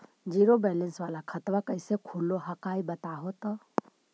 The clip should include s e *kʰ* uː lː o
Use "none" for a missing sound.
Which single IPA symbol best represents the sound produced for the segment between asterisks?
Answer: kʰ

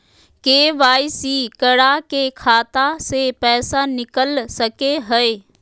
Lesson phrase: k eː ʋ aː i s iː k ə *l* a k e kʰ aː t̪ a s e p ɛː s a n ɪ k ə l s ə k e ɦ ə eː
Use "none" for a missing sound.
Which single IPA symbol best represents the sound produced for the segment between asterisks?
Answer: ɽ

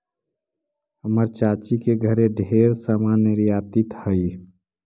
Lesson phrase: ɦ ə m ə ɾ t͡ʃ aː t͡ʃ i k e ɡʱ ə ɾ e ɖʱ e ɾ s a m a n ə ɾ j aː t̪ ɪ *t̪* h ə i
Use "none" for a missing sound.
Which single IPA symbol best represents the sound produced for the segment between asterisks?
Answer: t̪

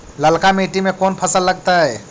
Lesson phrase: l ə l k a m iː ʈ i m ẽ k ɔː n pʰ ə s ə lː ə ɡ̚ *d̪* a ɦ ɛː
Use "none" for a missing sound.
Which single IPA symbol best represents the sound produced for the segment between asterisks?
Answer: t̪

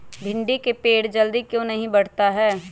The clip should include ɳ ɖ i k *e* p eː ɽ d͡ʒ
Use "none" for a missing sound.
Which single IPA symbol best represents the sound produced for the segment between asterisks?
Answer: e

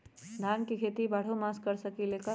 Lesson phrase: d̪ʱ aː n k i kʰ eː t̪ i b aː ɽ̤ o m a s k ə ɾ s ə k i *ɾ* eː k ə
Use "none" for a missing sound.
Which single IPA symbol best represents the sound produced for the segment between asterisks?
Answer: l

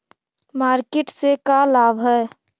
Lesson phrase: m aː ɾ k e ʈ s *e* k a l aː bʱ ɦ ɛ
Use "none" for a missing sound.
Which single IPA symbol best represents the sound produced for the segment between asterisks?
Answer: e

